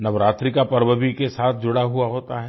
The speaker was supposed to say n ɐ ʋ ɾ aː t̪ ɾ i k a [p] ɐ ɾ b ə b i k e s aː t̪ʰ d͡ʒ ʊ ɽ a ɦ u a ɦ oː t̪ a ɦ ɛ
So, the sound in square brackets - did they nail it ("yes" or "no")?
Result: yes